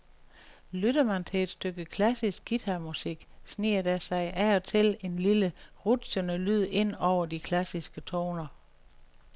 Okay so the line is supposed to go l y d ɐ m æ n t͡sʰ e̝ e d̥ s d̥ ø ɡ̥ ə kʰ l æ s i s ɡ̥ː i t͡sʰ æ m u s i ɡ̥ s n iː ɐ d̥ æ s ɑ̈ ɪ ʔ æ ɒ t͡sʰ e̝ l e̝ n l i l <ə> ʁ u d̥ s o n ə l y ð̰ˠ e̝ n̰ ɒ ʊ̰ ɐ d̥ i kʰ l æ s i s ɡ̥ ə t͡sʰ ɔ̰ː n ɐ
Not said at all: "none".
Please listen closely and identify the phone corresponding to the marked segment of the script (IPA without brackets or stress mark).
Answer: ə